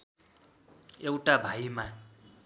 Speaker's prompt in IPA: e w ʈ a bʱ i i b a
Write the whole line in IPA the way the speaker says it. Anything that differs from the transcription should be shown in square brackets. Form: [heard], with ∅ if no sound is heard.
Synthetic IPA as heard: e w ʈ a bʱ [a] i [m] a